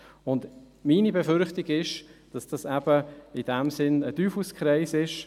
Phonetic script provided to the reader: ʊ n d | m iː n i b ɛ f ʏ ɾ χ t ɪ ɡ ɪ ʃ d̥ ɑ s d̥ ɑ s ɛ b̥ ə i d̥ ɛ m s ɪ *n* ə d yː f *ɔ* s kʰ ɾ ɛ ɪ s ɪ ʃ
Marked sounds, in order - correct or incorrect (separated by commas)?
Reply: correct, incorrect